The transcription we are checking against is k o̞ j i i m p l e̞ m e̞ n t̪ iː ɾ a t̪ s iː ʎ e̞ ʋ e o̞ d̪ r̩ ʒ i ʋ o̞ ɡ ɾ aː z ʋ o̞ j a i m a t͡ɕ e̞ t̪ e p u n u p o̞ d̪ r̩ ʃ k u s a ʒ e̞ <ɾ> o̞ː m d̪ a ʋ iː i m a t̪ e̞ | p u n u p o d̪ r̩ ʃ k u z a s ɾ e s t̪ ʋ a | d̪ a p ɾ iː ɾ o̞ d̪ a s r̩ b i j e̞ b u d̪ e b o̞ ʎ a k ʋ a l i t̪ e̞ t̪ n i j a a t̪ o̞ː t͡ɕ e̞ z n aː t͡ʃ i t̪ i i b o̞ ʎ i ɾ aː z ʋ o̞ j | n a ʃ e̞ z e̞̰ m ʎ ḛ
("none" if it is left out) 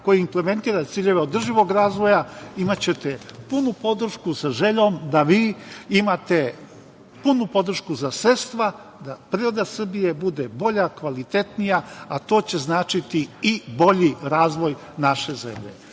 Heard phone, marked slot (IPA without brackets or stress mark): ʎ